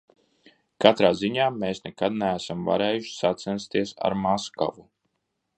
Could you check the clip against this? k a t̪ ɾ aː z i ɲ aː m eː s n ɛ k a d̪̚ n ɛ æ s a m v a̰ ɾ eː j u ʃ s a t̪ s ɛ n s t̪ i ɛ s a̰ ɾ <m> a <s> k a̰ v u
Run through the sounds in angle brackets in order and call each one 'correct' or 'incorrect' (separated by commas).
correct, correct